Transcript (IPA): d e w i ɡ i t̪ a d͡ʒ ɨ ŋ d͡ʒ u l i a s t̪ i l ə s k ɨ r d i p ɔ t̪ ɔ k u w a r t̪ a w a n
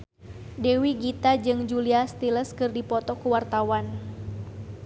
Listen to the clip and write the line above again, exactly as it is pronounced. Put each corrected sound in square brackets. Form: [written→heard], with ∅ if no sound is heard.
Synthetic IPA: d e w i ɡ i t̪ a d͡ʒ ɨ ŋ d͡ʒ u l i a s t̪ i l ə s k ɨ r d i p ɔ t̪ ɔ k u w a r t̪ a w a n